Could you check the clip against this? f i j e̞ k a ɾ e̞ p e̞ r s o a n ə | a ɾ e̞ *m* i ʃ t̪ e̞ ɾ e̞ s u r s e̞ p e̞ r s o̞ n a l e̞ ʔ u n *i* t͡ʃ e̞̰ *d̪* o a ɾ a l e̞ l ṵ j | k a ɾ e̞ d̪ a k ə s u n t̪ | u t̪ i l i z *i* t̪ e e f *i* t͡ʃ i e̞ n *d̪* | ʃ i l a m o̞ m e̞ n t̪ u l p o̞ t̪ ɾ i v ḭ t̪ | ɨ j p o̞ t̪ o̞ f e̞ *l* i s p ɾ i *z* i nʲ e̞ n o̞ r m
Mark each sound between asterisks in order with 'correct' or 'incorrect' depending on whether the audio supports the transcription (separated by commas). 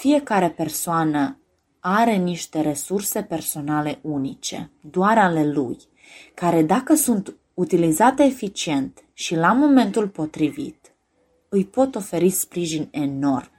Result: incorrect, correct, correct, incorrect, correct, incorrect, incorrect, incorrect